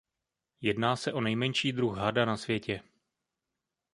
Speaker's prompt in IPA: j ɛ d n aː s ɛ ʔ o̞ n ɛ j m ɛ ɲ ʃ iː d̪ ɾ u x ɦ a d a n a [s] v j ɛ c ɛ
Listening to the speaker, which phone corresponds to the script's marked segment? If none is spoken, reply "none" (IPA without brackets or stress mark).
s